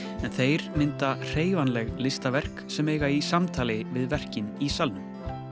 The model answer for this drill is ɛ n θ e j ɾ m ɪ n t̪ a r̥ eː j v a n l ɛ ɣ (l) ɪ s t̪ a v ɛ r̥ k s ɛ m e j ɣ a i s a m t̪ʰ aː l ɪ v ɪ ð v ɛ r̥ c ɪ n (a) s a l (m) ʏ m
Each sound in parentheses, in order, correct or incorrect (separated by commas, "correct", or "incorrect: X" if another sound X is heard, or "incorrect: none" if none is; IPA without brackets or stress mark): correct, incorrect: i, incorrect: n